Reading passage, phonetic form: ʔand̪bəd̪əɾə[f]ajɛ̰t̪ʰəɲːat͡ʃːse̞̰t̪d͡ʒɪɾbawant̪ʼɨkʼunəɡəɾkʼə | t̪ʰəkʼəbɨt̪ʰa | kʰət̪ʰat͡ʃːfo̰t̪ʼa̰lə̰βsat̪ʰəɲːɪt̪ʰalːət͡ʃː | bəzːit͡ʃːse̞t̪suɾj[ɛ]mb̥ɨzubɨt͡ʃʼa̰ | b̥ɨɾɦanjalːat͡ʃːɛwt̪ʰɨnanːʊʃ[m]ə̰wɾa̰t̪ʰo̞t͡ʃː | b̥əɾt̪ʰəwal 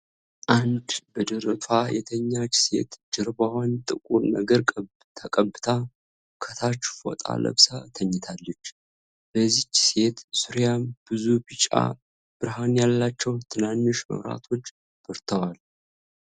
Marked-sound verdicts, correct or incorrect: correct, incorrect: a, correct

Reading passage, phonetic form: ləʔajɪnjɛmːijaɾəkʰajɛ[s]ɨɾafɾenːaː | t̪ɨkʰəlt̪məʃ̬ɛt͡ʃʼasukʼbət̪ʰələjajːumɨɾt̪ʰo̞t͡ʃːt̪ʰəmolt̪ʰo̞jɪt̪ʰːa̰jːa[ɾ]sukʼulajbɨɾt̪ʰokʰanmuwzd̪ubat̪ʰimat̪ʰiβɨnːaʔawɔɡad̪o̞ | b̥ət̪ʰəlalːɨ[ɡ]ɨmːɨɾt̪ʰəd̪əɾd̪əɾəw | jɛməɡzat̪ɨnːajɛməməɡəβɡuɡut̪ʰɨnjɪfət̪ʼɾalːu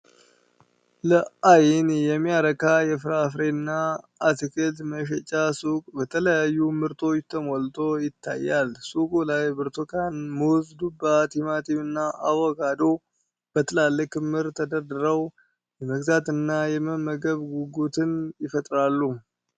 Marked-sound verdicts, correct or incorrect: incorrect: f, incorrect: l, incorrect: k

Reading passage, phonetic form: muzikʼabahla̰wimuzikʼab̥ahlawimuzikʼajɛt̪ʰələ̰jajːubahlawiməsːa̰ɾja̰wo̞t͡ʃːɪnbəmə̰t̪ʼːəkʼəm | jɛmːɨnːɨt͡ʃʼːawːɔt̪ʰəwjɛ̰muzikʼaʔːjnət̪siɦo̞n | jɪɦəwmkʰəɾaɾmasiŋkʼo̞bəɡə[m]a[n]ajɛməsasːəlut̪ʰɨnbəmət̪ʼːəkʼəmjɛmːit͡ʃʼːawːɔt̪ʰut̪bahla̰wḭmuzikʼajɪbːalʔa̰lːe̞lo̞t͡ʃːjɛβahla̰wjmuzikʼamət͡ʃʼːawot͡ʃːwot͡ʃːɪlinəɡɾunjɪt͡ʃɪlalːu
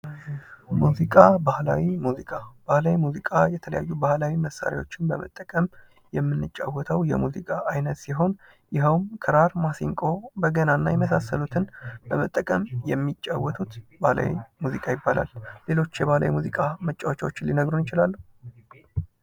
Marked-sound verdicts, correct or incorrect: incorrect: n, incorrect: nː

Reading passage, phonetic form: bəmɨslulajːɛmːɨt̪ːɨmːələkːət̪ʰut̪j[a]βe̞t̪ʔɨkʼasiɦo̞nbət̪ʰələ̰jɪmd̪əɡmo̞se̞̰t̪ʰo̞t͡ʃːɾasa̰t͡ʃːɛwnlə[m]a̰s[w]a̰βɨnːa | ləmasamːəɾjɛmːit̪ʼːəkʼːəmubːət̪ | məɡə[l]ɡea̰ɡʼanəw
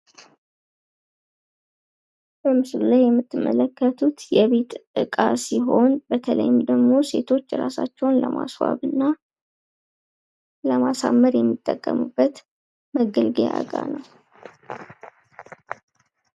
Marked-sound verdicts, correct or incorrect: incorrect: ɛ, correct, correct, correct

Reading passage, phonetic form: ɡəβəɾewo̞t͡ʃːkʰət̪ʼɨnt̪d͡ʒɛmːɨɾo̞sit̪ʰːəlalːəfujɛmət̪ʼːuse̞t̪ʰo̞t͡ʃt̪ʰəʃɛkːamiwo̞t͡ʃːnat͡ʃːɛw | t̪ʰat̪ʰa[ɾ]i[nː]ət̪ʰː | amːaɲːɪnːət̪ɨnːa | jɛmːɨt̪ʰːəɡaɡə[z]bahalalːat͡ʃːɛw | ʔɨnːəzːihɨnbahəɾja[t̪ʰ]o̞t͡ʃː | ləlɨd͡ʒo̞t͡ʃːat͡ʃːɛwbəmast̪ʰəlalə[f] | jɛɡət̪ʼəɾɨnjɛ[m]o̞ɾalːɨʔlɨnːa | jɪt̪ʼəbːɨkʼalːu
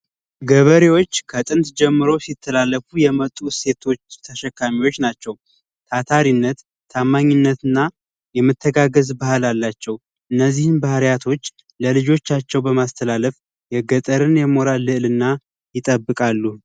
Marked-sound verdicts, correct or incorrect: correct, correct, correct, correct, correct, correct

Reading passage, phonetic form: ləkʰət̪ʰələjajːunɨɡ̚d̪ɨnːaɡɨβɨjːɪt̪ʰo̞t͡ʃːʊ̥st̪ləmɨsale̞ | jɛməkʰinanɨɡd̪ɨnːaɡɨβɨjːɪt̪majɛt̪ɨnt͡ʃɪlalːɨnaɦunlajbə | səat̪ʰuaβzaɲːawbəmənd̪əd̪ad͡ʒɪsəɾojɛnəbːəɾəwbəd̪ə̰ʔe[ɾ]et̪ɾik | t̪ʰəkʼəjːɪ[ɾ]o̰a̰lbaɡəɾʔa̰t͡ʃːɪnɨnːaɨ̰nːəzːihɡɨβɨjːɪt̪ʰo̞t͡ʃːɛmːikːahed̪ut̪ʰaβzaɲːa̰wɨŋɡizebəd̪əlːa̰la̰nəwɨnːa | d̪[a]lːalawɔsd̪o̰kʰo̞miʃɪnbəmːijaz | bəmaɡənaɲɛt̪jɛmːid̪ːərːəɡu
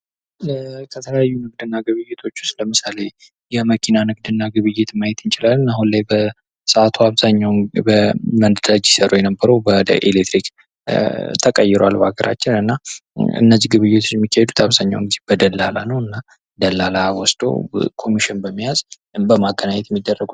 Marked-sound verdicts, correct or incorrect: incorrect: l, correct, incorrect: ə

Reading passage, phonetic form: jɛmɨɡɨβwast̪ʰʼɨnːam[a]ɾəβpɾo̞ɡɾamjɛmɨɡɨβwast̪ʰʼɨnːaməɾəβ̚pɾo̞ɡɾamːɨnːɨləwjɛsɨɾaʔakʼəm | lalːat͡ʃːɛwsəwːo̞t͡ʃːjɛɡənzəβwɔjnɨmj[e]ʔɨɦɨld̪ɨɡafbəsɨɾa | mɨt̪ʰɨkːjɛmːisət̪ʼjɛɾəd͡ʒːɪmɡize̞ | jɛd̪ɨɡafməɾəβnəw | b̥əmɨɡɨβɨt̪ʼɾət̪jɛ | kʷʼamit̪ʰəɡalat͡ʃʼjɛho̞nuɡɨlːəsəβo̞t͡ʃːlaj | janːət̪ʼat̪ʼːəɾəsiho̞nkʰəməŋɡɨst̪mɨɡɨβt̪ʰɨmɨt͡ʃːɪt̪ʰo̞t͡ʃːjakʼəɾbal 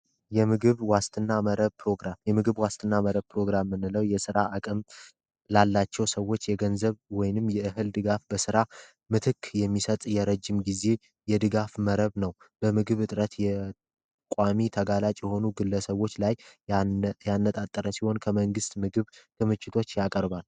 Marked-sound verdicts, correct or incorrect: incorrect: ə, incorrect: ɛ

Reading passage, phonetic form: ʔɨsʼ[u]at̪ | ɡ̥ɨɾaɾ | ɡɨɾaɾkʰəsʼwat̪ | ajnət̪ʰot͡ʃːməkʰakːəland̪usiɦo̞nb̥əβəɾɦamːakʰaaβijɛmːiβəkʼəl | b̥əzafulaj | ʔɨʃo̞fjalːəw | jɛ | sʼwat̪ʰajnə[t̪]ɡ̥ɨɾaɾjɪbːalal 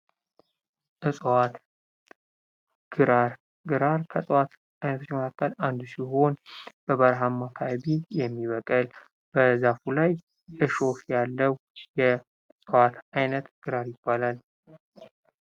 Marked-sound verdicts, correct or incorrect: incorrect: w, correct

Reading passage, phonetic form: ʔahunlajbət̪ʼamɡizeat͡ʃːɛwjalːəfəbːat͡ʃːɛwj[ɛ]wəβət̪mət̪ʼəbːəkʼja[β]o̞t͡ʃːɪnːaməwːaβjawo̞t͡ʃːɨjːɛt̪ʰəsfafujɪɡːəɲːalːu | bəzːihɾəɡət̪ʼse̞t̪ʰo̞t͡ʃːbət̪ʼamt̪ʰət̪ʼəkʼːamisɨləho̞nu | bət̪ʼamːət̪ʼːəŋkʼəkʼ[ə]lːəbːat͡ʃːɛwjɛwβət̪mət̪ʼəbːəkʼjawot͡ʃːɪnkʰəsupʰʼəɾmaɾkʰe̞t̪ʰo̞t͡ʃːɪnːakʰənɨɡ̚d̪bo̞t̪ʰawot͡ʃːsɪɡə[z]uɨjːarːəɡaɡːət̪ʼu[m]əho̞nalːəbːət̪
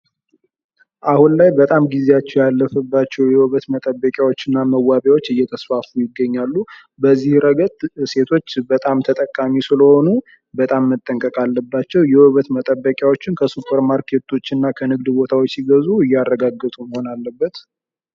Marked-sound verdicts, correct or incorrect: correct, incorrect: w, incorrect: a, correct, correct

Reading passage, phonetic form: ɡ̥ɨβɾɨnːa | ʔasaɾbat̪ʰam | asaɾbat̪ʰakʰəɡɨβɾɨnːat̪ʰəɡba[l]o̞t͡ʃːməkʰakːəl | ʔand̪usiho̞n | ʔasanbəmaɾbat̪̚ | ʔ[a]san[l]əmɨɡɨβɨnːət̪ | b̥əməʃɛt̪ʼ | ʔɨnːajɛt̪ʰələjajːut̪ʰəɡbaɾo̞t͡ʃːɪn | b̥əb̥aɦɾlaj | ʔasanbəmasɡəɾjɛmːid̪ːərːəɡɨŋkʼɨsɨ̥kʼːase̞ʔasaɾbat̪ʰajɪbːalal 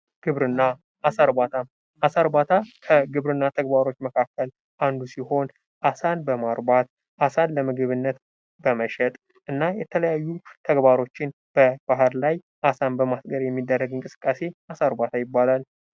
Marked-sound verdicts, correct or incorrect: incorrect: ɾ, correct, correct

